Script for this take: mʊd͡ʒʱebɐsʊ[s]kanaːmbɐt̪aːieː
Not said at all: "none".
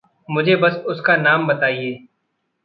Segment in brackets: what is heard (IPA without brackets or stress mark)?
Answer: s